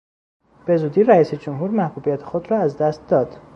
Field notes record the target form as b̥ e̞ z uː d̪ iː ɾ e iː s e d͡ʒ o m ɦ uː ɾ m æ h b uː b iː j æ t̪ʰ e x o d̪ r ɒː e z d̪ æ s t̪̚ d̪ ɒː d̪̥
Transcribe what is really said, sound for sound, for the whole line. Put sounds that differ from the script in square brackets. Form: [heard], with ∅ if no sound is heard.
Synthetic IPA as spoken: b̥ e̞ z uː d̪ iː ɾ [æ] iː s e d͡ʒ o m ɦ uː ɾ m æ h b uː b [i] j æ t̪ʰ e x o d̪ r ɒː [æ] z d̪ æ s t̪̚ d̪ ɒː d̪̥